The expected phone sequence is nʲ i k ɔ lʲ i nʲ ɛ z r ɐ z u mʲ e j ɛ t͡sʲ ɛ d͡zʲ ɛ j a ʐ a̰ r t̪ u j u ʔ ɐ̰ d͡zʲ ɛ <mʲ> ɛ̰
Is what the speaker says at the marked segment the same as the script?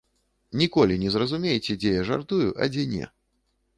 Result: no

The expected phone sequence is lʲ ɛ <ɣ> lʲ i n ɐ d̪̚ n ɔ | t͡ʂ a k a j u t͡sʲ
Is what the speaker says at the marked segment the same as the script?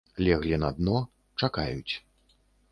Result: yes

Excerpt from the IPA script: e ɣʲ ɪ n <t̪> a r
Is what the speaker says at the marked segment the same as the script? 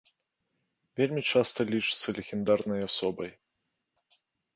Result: no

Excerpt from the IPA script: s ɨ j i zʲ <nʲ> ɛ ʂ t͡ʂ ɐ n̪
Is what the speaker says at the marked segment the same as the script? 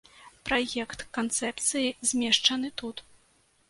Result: no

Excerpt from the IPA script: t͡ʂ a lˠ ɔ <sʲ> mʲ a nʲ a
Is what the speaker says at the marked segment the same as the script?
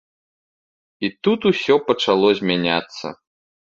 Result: no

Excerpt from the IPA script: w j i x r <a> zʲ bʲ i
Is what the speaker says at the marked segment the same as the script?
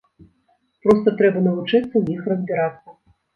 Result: no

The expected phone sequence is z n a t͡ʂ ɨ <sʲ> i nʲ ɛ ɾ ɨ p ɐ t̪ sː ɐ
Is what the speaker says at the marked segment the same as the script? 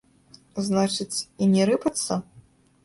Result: no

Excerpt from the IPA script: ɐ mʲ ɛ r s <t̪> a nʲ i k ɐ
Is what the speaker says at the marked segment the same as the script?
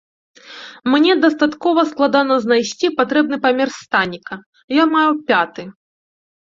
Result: yes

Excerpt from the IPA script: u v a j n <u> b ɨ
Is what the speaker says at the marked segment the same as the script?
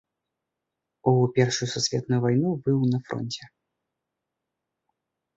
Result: yes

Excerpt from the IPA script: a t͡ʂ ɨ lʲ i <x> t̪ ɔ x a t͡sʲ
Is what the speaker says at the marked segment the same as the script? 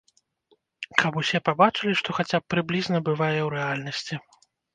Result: no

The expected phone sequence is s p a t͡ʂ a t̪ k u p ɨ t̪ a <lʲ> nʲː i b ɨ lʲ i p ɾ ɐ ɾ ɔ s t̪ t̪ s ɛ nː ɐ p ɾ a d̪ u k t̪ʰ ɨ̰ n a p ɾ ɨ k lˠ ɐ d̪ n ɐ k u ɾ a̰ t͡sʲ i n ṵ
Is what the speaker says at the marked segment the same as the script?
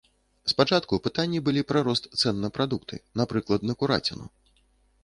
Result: no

